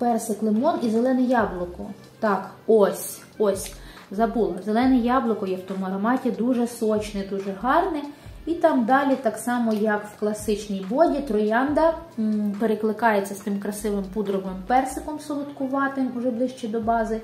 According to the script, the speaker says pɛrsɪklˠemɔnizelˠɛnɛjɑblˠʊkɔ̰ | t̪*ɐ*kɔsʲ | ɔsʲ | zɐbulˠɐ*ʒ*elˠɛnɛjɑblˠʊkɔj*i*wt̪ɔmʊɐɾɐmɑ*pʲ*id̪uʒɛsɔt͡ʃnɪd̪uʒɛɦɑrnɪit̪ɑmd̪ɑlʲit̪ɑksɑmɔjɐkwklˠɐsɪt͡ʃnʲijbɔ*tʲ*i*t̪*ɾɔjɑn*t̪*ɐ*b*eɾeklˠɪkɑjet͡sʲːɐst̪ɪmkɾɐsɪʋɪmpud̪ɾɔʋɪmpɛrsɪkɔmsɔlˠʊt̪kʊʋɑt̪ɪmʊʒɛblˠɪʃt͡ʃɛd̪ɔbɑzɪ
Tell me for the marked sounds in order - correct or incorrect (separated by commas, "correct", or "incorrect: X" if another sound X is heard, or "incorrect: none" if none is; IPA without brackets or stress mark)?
incorrect: ɑ, incorrect: z, incorrect: ɛ, incorrect: tʲ, incorrect: dʲ, correct, incorrect: d̪, incorrect: p